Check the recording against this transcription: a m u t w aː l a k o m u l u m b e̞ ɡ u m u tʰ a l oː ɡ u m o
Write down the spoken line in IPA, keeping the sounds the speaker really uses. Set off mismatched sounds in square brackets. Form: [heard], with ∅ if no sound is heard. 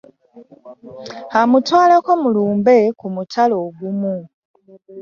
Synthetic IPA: a m u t w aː l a k o m u l [uː] m b e̞ [k] u m u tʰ a l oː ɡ u m [u]